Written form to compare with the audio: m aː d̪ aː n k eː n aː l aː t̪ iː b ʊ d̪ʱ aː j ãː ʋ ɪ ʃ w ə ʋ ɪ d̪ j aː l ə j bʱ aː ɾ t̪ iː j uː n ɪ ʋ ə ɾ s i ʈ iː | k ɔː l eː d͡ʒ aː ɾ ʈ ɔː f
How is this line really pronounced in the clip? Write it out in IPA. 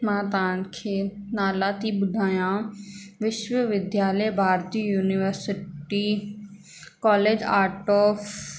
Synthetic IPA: m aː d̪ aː n kʰ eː n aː l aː t̪ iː b ʊ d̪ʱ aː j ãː ʋ ɪ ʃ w ə ʋ ɪ d̪ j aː l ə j bʱ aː ɾ t̪ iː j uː n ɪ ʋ ə ɾ s ɪ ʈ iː | k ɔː l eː d͡ʒ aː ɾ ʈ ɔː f